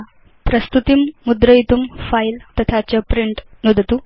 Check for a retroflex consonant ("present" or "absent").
present